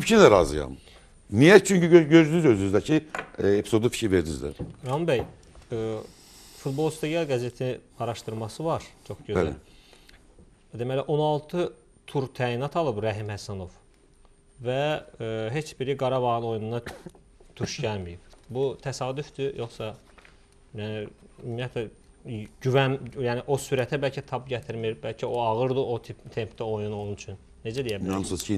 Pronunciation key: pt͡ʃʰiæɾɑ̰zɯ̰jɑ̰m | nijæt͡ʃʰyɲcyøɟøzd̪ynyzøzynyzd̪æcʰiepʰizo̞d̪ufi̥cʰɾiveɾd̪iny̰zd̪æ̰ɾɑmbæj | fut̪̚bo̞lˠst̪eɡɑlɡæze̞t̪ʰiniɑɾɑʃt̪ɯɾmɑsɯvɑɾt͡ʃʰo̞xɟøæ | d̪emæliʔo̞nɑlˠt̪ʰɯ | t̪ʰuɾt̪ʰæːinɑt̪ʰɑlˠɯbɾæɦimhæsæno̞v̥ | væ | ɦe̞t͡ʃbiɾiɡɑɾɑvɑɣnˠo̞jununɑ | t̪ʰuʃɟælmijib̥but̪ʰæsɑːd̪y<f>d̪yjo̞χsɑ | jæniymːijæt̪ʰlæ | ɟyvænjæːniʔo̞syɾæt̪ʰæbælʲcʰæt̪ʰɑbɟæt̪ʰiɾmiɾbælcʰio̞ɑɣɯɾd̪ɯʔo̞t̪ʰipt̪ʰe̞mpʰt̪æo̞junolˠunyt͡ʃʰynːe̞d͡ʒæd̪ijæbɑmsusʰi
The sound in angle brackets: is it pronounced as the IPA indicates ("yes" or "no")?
yes